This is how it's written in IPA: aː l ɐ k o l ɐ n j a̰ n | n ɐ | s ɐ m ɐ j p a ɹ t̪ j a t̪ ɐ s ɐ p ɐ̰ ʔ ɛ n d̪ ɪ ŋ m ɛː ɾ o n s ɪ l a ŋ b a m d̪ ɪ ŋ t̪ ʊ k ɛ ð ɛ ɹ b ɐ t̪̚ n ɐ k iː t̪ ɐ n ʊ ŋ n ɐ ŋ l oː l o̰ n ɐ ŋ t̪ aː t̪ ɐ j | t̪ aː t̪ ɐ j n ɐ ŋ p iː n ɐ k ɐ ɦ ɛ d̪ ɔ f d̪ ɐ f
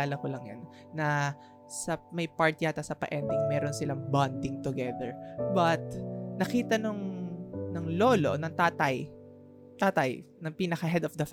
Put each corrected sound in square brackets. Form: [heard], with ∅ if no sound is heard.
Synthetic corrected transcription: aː l ɐ k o l ɐ [ŋ] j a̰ n | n ɐ | s ɐ m ɐ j p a ɹ t̪ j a t̪ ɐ s ɐ p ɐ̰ ʔ ɛ n d̪ ɪ ŋ m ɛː ɾ o n s ɪ l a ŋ b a [n] d̪ ɪ ŋ t̪ ʊ [ɡ] ɛ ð ɛ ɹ b ɐ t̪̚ n ɐ k iː t̪ ɐ n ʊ ŋ n ɐ ŋ l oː l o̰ n ɐ ŋ t̪ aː t̪ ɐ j | t̪ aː t̪ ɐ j n ɐ ŋ p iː n ɐ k ɐ ɦ ɛ d̪ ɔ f d̪ ɐ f